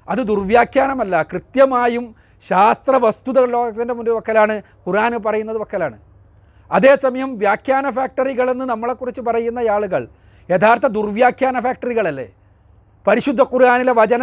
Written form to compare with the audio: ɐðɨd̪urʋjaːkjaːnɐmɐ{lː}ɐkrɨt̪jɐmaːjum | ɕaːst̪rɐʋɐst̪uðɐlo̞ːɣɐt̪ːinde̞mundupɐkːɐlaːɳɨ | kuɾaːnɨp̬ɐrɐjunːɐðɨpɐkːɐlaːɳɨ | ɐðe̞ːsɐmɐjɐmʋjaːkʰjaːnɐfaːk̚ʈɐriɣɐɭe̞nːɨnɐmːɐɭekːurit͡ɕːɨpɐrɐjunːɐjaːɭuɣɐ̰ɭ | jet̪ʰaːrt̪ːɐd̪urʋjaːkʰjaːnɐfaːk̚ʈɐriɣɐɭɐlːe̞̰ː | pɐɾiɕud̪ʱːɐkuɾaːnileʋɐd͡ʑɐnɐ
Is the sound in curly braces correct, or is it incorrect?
correct